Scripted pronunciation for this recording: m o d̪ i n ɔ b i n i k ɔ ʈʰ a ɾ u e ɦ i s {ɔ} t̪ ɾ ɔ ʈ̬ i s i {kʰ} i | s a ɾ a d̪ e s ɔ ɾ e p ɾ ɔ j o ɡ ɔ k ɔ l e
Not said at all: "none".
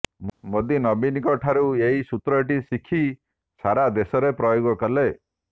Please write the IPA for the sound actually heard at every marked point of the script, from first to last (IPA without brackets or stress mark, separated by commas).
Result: u, kʰ